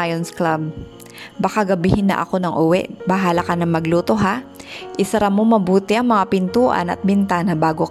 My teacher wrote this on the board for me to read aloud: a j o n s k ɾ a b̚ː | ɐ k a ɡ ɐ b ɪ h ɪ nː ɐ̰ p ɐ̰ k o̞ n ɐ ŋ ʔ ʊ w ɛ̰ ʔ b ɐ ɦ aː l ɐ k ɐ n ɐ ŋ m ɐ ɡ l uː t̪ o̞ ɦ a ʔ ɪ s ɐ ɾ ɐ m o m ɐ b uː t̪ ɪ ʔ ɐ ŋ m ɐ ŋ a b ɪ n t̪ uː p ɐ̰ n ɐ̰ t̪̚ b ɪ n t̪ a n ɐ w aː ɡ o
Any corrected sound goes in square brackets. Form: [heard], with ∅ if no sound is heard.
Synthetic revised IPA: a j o n s k [l] a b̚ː | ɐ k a ɡ ɐ b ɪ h ɪ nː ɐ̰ [ʔ] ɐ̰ k o̞ n ɐ ŋ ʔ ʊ w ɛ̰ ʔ b ɐ ɦ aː l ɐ k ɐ n ɐ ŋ m ɐ ɡ l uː t̪ o̞ ɦ a ʔ ɪ s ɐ ɾ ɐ m o m ɐ b uː t̪ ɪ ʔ ɐ ŋ m ɐ ŋ a [p] ɪ n t̪ uː [ʔ] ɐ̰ n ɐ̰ t̪̚ b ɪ n t̪ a n ɐ [b] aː ɡ o